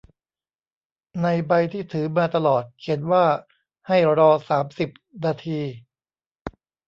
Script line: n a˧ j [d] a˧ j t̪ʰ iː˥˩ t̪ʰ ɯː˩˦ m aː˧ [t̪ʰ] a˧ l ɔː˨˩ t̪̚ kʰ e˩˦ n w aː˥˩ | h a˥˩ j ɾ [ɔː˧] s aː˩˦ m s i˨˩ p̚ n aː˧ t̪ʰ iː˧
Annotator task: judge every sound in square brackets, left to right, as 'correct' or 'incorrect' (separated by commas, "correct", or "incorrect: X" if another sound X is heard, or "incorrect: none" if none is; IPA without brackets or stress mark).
incorrect: b, incorrect: t̪, correct